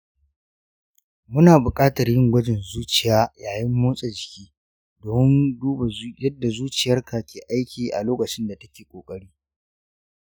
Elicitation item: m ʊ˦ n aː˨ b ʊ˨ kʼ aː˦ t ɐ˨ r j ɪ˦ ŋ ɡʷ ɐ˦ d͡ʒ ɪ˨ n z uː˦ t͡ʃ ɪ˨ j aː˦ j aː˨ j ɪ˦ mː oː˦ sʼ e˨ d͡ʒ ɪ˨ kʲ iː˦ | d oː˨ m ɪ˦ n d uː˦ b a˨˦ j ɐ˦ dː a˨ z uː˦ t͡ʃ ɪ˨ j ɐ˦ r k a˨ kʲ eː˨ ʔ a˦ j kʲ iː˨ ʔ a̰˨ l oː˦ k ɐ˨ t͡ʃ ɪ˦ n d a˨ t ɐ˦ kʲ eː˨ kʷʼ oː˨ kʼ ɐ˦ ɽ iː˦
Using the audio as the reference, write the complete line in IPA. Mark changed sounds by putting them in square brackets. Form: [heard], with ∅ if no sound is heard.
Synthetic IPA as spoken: m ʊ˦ n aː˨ b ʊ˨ kʼ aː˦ t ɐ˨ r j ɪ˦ ŋ ɡʷ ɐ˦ d͡ʒ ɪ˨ n z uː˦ t͡ʃ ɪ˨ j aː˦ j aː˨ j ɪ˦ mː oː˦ sʼ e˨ d͡ʒ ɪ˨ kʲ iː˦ | d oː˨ m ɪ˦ n d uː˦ b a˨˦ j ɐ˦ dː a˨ z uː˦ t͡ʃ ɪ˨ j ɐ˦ r k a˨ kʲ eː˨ ʔ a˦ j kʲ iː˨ ʔ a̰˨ l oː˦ k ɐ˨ t͡ʃ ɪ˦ n d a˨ t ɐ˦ kʲ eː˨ kʷʼ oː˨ kʼ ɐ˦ ɽ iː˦